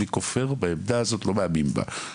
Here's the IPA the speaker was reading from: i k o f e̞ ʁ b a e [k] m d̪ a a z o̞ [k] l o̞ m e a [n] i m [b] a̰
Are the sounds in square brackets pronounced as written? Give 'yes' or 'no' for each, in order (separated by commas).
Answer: no, no, no, yes